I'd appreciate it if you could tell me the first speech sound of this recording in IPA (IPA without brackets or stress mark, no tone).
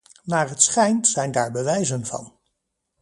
n